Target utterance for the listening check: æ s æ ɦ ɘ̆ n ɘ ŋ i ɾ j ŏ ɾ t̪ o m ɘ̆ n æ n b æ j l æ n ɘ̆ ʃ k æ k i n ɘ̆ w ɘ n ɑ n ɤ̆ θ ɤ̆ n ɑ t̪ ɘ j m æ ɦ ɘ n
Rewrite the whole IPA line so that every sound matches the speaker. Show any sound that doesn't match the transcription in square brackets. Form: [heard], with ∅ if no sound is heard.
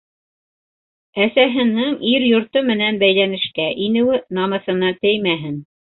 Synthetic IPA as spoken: æ s æ ɦ ɘ̆ n ɘ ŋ i ɾ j ŏ ɾ t̪ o m ɘ̆ n æ n b æ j l æ n ɘ̆ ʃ k æ [ʔ] i n ɘ̆ w ɘ n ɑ [m] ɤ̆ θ ɤ̆ n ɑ t̪ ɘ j m æ ɦ ɘ n

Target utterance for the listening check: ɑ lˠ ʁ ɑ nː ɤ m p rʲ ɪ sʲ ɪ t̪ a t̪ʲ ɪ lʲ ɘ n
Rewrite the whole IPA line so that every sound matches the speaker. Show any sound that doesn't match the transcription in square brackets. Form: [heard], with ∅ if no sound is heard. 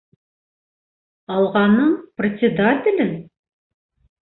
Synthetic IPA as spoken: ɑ lˠ ʁ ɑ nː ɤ [ɴ] p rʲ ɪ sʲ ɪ [d̪] a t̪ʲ ɪ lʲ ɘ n

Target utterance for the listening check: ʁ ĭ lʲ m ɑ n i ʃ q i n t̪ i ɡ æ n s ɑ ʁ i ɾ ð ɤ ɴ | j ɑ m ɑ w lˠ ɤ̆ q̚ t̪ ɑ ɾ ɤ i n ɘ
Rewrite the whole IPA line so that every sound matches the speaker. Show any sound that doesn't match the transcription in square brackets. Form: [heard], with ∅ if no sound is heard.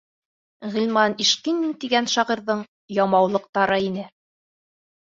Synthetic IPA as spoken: ʁ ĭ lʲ m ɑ n i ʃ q i n t̪ i ɡ æ n [ʃ] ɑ ʁ i ɾ ð ɤ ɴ | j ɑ m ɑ w lˠ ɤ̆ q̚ t̪ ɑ ɾ ɤ i n ɘ

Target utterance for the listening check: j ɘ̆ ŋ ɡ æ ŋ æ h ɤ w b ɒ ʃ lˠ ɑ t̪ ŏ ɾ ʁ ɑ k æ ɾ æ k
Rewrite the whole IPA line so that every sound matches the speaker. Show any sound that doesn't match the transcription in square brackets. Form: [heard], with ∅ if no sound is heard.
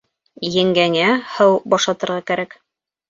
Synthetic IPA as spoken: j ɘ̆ ŋ ɡ æ ŋ æ h ɤ w b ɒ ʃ lˠ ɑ t̪ [ɤ̆] ɾ ʁ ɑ k æ ɾ æ k

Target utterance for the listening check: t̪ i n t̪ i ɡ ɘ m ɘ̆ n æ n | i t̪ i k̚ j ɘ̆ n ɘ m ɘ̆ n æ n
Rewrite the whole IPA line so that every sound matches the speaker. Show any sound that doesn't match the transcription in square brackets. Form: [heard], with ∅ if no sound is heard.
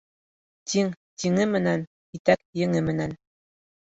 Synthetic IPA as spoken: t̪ i [ŋ] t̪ i [ŋ] ɘ m ɘ̆ n æ n | i t̪ [æ] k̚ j ɘ̆ [ŋ] ɘ m ɘ̆ n æ n

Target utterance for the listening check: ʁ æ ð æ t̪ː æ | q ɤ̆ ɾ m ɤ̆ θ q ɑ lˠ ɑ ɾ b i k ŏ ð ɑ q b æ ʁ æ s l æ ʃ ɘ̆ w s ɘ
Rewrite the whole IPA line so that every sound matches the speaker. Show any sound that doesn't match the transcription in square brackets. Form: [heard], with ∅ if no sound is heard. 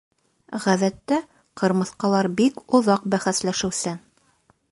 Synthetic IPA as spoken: ʁ æ ð æ t̪ː æ | q ɤ̆ ɾ m ɤ̆ θ q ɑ lˠ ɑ ɾ b i k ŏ ð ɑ q b æ [χ] æ s l æ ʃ ɘ̆ w s ɘ

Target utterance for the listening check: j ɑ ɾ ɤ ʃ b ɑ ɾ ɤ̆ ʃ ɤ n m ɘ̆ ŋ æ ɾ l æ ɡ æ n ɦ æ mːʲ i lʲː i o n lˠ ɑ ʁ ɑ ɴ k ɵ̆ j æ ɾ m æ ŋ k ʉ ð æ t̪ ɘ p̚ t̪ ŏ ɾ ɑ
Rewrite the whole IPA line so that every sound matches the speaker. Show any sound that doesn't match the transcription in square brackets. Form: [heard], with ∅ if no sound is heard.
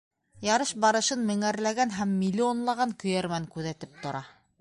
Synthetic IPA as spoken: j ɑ ɾ ɤ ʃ b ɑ ɾ ɤ̆ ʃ ɤ n m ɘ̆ ŋ æ ɾ l æ ɡ æ n ɦ æ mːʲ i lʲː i o n lˠ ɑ ʁ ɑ [ŋ] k ɵ̆ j æ ɾ m æ ŋ k ʉ ð æ t̪ ɘ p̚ t̪ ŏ ɾ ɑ

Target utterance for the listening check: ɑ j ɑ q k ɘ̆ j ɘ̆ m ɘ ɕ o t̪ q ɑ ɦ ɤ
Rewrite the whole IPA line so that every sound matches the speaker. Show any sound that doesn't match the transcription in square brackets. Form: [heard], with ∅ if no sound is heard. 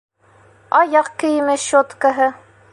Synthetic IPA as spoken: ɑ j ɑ q k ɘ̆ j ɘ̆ m ɘ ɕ o t̪ [k] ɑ ɦ ɤ

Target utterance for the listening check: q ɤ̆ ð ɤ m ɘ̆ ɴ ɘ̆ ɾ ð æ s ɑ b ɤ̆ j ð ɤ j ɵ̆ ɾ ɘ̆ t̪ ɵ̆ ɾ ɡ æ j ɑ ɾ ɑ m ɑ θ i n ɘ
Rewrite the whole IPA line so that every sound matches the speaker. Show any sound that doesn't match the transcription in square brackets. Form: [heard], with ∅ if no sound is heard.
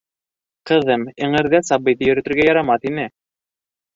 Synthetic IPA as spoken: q ɤ̆ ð ɤ m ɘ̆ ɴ ɘ̆ ɾ ð æ s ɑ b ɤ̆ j ð ɤ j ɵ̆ ɾ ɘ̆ t̪ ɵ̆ ɾ ɡ æ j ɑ ɾ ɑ m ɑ θ i n ɘ

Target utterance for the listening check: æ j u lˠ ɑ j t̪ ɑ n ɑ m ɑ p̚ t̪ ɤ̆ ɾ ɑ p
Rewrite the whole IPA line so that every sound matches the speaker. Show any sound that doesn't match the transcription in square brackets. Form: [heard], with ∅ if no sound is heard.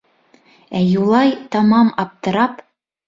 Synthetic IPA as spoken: æ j u lˠ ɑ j t̪ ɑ [m] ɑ m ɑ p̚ t̪ ɤ̆ ɾ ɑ p

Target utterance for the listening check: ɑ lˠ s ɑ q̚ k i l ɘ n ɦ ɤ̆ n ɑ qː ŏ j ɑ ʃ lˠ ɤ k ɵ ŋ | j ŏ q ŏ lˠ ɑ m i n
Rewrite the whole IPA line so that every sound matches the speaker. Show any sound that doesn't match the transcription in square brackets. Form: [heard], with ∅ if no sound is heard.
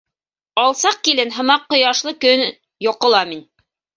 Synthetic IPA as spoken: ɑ lˠ s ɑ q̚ k i l ɘ n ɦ ɤ̆ [m] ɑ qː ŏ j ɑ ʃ lˠ ɤ k ɵ [n] | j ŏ q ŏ lˠ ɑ m i n

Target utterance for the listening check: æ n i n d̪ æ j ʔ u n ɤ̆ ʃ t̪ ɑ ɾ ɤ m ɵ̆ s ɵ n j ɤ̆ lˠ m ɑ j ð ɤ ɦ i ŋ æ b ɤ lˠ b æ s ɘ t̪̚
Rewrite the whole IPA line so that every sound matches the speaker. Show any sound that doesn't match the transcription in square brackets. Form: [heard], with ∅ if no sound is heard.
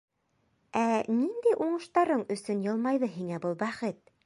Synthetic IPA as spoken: æ n i n d̪ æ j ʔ u [ɴ] ɤ̆ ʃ t̪ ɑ ɾ ɤ [ɴ] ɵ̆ s ɵ n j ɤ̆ lˠ m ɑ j ð ɤ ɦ i ŋ æ b ɤ lˠ b æ [χ] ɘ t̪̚

